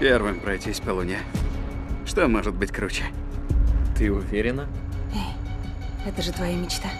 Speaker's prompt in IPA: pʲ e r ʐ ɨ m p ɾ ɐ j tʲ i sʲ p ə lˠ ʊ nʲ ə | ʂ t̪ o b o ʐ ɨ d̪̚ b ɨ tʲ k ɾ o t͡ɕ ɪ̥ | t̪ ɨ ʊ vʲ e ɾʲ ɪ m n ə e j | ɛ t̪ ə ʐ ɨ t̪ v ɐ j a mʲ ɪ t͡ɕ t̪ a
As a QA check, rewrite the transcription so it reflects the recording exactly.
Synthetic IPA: pʲ e r v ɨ m p ɾ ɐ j tʲ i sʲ p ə lˠ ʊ nʲ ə | ʂ t̪ o m o ʐ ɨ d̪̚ b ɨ tʲ k ɾ u t͡ɕ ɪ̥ | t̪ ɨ ʊ vʲ e ɾʲ ɪ n ə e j | ɛ t̪ ə ʐ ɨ t̪ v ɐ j a mʲ ɪ t͡ɕ t̪ a